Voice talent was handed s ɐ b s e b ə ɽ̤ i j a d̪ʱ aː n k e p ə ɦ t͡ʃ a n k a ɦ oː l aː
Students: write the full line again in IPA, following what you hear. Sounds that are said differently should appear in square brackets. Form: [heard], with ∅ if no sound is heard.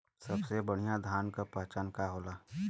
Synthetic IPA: s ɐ b s e b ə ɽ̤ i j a d̪ʱ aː n k [a] p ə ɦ t͡ʃ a n k a ɦ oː l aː